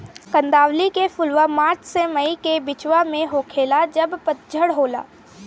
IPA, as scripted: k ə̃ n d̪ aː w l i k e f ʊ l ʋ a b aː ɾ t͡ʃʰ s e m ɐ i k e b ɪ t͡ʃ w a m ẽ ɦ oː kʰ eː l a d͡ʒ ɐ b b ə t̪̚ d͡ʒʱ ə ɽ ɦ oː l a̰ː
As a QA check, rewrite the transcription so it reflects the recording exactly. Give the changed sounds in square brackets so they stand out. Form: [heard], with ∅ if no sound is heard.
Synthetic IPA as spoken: k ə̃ n d̪ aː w l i k e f ʊ l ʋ a [m] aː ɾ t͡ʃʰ s e m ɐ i k e b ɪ t͡ʃ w a m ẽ ɦ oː kʰ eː l a d͡ʒ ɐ b [p] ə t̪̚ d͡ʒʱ ə ɽ ɦ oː l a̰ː

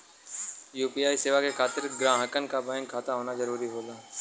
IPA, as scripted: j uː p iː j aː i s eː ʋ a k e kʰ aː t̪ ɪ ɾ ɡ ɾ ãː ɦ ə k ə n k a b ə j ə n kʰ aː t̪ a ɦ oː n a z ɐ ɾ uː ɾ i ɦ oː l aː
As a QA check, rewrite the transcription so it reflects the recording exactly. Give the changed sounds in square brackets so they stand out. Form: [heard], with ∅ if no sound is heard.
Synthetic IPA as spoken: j uː p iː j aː i s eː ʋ a k e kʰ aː t̪ ɪ ɾ ɡ ɾ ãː ɦ ə k ə n k a b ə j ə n kʰ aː t̪ a ɦ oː n a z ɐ ɾ uː ɾ i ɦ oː l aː

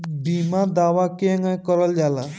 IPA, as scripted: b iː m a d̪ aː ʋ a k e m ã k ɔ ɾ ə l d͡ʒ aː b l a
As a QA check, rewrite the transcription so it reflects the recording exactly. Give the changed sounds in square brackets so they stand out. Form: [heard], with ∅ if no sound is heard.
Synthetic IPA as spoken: b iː m a d̪ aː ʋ a k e [ŋ] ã k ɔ ɾ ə l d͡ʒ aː [∅] l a

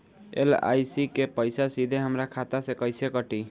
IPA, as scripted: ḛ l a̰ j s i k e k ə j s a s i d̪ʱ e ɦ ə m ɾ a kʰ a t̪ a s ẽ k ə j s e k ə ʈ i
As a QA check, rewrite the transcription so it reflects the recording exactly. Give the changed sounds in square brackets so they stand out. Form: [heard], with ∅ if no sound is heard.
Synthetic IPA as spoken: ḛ l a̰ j s i k e [p] ə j s a s i d̪ʱ e ɦ ə m ɾ a kʰ a t̪ a s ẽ k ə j s e k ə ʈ i

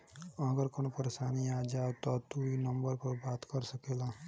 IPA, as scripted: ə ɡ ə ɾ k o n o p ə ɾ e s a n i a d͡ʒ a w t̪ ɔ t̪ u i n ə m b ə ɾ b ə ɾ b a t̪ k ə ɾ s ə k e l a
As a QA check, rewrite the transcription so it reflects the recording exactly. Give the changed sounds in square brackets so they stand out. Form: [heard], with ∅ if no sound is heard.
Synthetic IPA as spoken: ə ɡ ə ɾ k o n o p ə ɾ e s a n i a d͡ʒ a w t̪ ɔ t̪ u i n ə m b ə ɾ [p] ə ɾ b a t̪ k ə ɾ s ə k e l a

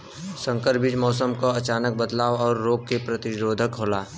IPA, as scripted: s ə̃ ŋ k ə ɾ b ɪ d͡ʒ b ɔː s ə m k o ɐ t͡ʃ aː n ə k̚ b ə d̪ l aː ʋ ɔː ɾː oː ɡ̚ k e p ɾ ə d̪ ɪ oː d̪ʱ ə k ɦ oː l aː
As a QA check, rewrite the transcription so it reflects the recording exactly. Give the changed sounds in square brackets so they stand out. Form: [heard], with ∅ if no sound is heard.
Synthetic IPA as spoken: s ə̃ ŋ k ə ɾ b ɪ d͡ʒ [m] ɔː s ə m k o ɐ t͡ʃ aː n ə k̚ b ə d̪ l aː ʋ ɔː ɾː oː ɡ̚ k e p ɾ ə [t̪] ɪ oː d̪ʱ ə k ɦ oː l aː

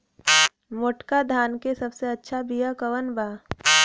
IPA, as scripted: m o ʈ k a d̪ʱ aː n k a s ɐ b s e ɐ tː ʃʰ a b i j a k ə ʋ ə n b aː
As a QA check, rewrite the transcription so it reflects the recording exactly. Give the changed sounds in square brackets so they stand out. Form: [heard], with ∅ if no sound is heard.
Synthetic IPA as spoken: m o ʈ k a d̪ʱ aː n k [e] s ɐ b s e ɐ tː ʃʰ a b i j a k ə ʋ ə n b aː

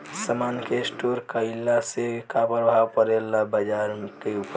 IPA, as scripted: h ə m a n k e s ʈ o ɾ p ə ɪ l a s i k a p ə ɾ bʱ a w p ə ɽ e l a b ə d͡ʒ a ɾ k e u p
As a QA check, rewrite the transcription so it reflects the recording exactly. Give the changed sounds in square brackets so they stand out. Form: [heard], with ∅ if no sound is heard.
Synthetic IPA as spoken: [s] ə m a n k e s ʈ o ɾ [k] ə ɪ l a s [e] k a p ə ɾ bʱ a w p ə [ɾ] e l a b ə d͡ʒ a ɾ k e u p

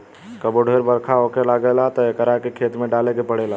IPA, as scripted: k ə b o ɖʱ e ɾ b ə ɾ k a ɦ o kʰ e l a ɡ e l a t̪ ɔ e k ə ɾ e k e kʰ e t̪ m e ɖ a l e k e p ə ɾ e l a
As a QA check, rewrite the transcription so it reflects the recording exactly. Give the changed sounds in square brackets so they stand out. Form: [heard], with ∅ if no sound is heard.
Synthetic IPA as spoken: k ə b o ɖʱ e ɾ b ə ɾ [kʰ] a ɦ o [k] e l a ɡ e l a t̪ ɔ e k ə ɾ [a] k e kʰ e t̪ m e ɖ a l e k e p ə [ɽ] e l a

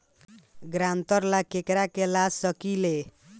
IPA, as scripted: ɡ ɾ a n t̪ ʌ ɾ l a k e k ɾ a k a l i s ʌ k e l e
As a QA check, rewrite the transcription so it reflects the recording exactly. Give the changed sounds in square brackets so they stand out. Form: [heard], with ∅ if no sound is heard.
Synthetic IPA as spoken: ɡ ɾ a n t̪ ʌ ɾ l a k e k ɾ a k [e] l [a] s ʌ k [i] l e

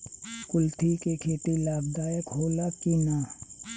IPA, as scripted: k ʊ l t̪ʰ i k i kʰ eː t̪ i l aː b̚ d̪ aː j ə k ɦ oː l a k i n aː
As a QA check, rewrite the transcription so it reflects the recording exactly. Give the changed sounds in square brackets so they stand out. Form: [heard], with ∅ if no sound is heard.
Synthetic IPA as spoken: k ʊ l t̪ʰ i k [e] kʰ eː t̪ i l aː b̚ d̪ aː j ə k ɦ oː l a k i n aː

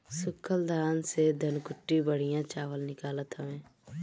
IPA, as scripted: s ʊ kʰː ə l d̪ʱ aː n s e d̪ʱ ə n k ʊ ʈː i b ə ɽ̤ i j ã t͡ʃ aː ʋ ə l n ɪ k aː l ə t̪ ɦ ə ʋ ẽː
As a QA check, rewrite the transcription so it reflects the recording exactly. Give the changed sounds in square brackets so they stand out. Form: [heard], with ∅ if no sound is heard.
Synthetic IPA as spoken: s ʊ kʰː ə l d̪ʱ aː n s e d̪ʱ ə n k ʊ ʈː i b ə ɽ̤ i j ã t͡ʃ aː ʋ ə l n ɪ k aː l ə t̪ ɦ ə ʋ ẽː

